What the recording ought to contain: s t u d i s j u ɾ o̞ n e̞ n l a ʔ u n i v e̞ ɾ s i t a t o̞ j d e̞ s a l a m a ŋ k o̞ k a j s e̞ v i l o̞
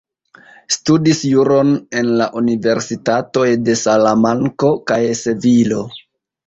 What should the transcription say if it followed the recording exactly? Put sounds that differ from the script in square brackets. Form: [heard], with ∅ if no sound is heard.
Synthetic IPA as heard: s t u d i s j u ɾ o̞ n e̞ n l a ʔ u n i v e̞ ɾ s i t a t o̞ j d e̞ s a l a m a ŋ k o̞ k a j s e̞ v i l o̞